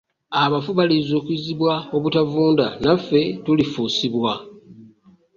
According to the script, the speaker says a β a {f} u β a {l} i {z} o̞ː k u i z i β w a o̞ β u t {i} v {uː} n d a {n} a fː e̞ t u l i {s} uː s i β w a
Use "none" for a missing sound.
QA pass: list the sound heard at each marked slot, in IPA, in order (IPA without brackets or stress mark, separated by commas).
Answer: f, l, z, a, uː, n, f